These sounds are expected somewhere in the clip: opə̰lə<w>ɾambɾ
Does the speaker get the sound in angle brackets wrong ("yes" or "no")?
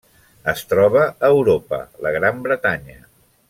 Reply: yes